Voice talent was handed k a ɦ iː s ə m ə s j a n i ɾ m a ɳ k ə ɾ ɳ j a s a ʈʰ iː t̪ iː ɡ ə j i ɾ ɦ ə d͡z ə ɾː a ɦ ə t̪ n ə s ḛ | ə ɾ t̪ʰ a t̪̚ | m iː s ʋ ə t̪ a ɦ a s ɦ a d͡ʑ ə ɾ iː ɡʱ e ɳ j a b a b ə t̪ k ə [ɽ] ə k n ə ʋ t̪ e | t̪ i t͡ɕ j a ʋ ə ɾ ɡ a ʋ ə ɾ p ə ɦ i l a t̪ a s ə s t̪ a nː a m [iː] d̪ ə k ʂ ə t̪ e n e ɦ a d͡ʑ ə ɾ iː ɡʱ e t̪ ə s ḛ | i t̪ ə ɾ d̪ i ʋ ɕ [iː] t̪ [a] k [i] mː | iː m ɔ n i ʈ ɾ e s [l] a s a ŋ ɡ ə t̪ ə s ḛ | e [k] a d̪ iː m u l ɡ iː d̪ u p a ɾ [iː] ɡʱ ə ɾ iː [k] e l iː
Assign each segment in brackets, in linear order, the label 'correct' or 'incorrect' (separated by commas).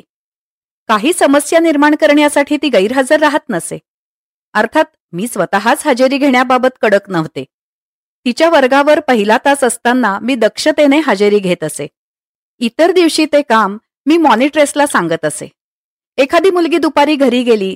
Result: correct, correct, correct, incorrect, incorrect, correct, incorrect, correct, incorrect